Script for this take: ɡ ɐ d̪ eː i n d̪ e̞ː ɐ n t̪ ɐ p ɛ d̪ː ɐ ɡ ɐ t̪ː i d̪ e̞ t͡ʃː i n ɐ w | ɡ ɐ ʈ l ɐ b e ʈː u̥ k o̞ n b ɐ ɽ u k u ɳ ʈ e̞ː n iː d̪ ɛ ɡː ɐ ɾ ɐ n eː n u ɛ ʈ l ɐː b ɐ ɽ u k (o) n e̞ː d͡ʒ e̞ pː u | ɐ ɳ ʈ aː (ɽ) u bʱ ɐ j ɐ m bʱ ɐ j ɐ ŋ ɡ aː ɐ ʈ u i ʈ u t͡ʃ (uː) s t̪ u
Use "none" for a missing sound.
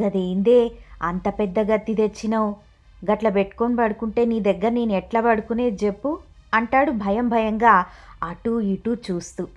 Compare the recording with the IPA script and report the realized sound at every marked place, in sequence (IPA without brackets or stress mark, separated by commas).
u, ɽ, uː